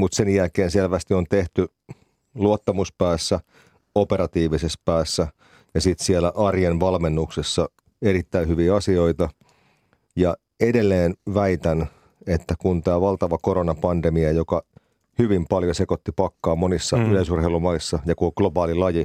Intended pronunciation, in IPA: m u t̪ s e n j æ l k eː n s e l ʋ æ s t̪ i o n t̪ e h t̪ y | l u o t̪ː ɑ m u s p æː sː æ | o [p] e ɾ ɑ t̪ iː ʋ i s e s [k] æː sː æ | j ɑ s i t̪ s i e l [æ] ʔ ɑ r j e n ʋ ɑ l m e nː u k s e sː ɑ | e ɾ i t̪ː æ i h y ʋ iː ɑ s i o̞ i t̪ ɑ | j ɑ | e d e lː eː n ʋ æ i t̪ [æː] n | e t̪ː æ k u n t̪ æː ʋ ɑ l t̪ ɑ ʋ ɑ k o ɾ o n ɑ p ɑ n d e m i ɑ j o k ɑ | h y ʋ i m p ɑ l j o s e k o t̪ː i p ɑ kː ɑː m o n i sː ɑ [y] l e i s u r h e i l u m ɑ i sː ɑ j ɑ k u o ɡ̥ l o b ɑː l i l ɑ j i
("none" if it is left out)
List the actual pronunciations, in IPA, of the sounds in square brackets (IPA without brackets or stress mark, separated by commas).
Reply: p, p, æ, æ, y